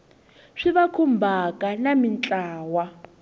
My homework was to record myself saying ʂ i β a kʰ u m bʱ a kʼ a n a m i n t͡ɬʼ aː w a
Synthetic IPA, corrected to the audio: ʂ i β a kʰ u m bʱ a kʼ a n a m i n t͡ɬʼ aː w a

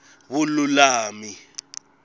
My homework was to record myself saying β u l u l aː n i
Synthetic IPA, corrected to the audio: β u l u l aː m i

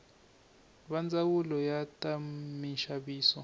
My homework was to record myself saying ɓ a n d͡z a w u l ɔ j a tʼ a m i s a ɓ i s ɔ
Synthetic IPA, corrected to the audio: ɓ a n d͡z a w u l ɔ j a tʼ a m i ʃ a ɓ iː s ɔ

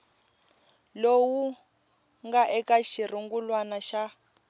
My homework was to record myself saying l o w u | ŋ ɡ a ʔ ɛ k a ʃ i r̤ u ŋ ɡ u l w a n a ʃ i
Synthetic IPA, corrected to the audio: l o w u | ŋ ɡ a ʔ ɛ k a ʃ i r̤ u ŋ ɡ u l w a n a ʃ a

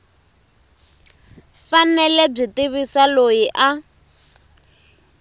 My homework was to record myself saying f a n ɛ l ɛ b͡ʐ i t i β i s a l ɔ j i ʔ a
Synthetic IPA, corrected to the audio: f a n ɛ l ɛ b͡ʐ i t i β i s a l o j i ʔ a

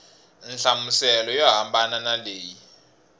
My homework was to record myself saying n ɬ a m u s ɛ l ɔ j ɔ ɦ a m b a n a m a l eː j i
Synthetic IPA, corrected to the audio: n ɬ a m u s ɛ l ɔ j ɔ ɦ a m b a n a n a l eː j i

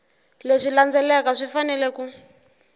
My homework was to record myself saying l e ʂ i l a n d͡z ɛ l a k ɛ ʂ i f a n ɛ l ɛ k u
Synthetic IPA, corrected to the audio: l e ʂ i l a n d͡z ɛ l ɛ k a ʂ i f a n ɛ l ɛ k u

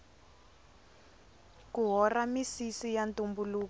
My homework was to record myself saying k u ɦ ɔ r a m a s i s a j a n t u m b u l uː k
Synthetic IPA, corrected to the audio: k u ɦ ɔ r a m i s i s i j a n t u m b u l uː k

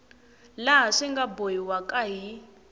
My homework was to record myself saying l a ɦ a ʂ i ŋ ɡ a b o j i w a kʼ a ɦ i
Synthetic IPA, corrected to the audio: l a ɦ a ʂ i ŋ ɡ a b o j i w a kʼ a ɦ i

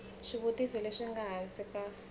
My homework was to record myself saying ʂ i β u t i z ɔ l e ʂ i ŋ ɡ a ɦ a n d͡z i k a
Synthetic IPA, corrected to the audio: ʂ i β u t i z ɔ l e ʂ i ŋ ɡ a ɦ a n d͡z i k a

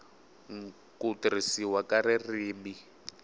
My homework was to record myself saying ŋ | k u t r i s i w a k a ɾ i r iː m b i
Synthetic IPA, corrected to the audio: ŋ | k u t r i s i w a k a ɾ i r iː m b i

